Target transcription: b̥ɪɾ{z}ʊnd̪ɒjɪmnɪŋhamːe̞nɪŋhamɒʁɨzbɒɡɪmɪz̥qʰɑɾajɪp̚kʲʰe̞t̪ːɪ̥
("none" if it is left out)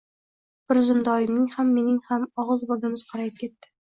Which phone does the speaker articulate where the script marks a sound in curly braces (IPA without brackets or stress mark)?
z